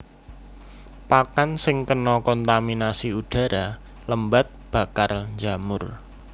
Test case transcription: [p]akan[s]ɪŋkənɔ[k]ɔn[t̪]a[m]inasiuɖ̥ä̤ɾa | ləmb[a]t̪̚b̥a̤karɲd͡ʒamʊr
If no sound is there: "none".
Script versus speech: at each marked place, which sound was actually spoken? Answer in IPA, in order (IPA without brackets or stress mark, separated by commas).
p, s, k, t̪, m, a